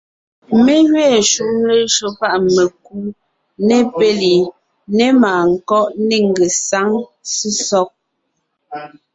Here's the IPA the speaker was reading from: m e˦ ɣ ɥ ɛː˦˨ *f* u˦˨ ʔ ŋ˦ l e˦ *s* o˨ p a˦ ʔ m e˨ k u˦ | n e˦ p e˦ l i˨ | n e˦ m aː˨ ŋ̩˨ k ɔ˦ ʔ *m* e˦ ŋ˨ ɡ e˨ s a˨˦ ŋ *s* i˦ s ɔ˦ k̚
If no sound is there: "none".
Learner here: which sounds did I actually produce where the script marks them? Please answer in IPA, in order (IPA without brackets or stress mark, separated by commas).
ʃ, ʃ, n, s